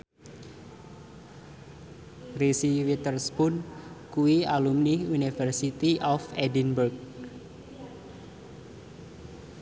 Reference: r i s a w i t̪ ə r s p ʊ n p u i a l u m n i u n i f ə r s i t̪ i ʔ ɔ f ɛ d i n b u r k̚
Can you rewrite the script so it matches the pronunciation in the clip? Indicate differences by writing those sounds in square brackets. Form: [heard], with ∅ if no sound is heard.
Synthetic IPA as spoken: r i s [i] w i t̪ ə r s p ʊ n [k] u i a l u m n i u n i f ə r s i t̪ i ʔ ɔ f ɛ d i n b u r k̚